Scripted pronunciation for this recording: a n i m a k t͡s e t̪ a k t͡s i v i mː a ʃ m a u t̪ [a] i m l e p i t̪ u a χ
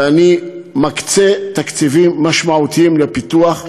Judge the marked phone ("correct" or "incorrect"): incorrect